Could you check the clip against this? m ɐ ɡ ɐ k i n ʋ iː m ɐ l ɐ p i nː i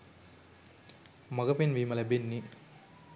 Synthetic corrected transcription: m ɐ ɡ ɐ p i n ʋ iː m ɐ l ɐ b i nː i